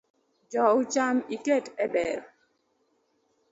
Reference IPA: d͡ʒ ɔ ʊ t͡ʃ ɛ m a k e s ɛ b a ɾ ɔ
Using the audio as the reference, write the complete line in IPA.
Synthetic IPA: d͡ʒ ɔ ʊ t͡ʃ a m i k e t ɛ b ɛ ɾ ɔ